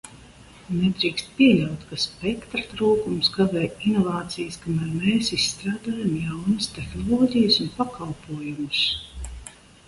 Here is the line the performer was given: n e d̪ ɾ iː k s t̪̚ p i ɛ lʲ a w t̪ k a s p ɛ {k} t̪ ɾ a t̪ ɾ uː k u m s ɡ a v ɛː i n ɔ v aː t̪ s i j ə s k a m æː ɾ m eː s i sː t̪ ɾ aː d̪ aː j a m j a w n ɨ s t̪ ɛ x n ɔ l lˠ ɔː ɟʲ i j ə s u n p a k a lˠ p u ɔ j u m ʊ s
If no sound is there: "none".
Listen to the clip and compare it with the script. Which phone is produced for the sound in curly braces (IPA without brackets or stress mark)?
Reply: k